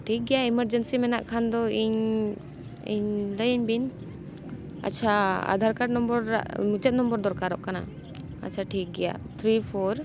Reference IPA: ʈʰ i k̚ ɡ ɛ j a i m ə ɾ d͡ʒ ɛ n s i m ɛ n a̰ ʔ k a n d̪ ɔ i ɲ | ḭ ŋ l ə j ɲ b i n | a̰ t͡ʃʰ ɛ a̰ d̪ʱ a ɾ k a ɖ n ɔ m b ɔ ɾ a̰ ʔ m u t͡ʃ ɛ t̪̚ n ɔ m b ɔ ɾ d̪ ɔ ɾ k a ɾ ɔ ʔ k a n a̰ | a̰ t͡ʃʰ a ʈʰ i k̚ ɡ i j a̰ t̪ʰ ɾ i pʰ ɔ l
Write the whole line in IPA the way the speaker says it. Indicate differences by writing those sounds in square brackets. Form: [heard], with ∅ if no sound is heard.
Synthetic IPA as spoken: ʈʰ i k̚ ɡ ɛ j a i m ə ɾ d͡ʒ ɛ n s i m ɛ n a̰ ʔ [kʰ] a n d̪ ɔ i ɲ | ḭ [ɲ] l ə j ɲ b i n | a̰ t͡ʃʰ [a] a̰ d̪ʱ a ɾ k a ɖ n ɔ m b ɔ ɾ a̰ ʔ m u t͡ʃ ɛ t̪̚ n ɔ m b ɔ ɾ d̪ ɔ ɾ k a ɾ ɔ ʔ k a n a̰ | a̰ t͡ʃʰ a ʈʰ i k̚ ɡ [ɛ] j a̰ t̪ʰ ɾ i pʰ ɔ [ɾ]